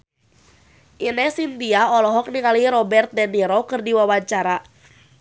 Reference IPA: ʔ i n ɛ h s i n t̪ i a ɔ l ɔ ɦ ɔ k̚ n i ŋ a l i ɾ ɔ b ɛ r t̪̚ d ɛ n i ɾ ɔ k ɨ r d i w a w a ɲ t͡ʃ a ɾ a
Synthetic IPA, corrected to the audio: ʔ i n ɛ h s i n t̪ i a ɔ l ɔ ɦ ɔ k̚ n i ŋ a l i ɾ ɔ b ɛ r t̪̚ d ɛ n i ɾ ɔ k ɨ r d i w a w a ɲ t͡ʃ a ɾ a